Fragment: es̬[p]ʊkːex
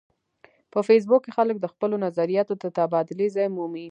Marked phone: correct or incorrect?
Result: incorrect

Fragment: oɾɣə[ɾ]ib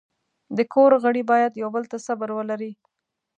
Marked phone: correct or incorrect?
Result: incorrect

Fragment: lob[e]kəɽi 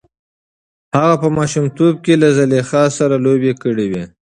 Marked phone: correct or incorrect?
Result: correct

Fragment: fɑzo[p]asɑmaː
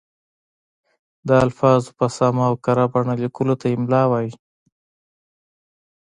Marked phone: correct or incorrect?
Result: correct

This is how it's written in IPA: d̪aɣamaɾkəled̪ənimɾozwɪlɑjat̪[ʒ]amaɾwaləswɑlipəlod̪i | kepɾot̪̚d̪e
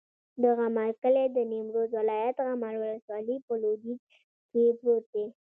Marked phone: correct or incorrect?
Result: incorrect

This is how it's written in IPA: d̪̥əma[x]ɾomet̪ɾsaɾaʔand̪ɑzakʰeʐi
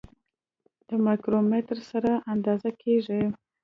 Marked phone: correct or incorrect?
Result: incorrect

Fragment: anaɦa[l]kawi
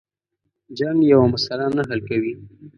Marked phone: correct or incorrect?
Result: correct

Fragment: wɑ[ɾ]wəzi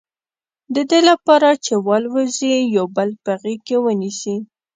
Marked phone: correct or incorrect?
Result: incorrect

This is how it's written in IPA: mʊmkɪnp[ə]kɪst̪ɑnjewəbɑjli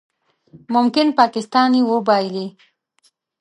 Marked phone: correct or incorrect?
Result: incorrect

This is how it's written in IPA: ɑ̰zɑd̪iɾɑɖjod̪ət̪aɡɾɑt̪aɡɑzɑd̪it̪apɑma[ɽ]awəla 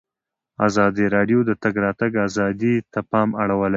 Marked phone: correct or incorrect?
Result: correct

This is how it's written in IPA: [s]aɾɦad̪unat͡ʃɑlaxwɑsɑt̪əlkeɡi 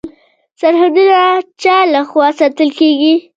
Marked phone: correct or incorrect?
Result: correct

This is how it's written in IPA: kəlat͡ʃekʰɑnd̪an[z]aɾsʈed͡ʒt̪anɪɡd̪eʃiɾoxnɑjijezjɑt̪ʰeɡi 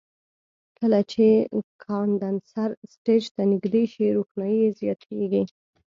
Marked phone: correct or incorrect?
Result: incorrect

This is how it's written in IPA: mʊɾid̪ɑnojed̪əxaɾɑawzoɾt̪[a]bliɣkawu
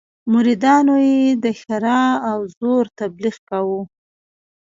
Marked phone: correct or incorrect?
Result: correct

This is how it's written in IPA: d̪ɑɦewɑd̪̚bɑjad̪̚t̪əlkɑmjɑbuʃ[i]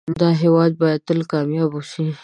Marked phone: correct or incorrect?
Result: correct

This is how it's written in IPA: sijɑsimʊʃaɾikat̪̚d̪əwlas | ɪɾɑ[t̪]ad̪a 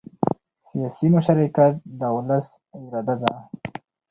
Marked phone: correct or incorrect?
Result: incorrect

